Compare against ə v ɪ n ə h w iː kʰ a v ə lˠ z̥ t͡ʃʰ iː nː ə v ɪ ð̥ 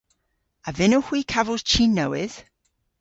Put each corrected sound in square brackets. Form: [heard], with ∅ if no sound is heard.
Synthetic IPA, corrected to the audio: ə v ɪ n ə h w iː kʰ a v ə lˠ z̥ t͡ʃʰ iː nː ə [w] ɪ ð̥

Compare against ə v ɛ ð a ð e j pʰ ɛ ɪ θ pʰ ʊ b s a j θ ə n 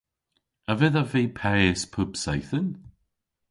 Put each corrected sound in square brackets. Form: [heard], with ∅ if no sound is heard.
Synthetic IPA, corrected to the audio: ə v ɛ ð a [v] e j pʰ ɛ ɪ [s] pʰ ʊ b s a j θ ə n

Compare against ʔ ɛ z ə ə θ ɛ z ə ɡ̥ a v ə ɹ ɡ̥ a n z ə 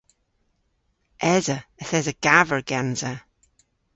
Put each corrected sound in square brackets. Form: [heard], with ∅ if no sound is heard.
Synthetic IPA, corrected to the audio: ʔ ɛ z ə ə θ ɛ z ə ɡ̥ a v ə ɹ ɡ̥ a n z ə

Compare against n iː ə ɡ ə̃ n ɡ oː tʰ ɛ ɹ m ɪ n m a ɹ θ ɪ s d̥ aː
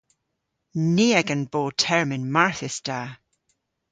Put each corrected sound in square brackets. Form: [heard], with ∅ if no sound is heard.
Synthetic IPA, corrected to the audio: n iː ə ɡ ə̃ n [b] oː tʰ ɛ ɹ m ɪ n m a ɹ θ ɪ s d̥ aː

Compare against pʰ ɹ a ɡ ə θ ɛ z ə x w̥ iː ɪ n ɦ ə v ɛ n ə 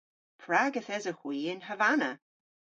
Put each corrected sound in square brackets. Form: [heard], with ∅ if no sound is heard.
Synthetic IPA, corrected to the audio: pʰ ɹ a ɡ ə θ ɛ z ə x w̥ iː ɪ n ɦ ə v [a] n ə

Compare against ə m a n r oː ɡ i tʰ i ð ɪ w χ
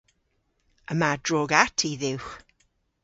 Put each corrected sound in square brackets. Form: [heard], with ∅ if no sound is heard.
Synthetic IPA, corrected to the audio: ə m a [d] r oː ɡ [a] tʰ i ð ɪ w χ

